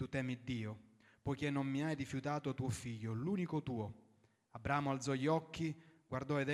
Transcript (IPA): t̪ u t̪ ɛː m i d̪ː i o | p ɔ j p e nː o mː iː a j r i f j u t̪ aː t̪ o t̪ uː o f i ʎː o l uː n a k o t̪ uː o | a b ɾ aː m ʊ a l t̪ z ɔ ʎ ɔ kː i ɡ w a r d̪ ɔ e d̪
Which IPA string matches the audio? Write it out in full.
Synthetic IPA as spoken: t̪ u t̪ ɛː m i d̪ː iː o | p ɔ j k e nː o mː i a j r i f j u t̪ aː t̪ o t̪ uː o f i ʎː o l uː n i k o t̪ uː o | a b ɾ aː m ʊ a l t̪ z ɔ ʎ ɔ kː i ɡ w a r d̪ ɔ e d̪